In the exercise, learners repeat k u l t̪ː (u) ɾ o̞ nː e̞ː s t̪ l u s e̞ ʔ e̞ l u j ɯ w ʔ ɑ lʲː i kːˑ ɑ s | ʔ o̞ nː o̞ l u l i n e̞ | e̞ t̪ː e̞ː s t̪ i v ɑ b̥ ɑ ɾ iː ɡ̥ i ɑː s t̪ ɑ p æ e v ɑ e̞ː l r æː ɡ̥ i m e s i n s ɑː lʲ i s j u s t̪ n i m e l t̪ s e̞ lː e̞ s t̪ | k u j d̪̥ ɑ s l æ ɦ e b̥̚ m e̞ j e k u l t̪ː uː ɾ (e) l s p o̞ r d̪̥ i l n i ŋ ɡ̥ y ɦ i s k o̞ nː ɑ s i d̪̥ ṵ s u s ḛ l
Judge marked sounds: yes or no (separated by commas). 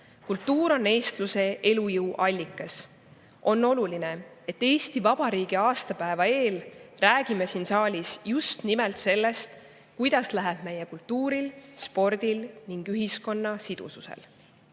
no, no